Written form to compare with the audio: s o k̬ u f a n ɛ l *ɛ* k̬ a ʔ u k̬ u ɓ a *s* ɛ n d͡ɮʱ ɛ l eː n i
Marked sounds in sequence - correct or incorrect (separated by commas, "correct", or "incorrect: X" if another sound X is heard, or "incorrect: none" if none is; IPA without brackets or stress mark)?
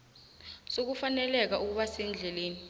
correct, correct